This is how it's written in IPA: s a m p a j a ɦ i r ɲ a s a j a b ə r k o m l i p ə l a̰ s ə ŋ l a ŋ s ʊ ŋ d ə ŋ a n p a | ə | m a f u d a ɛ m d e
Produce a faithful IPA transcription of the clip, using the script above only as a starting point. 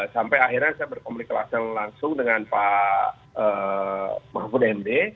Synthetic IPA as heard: s a m p a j a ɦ i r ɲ a s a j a b ə r k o m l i k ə l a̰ s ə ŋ l a ŋ s ʊ ŋ d ə ŋ a n p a | ə | m a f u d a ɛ m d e